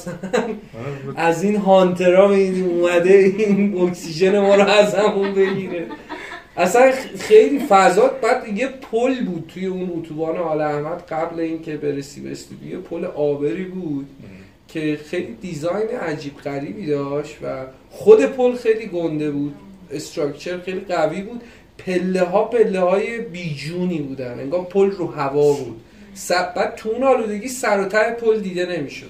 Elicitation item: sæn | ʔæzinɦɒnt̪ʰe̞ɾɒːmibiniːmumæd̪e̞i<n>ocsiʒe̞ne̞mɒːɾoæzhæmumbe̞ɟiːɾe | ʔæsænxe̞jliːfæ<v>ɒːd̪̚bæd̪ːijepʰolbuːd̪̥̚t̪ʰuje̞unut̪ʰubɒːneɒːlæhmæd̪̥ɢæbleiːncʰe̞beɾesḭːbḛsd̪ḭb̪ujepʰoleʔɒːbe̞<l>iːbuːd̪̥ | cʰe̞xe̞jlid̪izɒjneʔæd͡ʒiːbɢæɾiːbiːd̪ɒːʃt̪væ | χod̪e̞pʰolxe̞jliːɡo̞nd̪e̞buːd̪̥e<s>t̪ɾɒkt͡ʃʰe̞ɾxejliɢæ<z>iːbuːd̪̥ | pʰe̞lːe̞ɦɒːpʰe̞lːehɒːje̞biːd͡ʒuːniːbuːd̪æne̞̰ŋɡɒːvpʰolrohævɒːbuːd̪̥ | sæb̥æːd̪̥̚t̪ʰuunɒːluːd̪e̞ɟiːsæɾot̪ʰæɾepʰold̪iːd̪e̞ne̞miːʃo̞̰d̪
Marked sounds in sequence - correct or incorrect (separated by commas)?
correct, incorrect, incorrect, correct, incorrect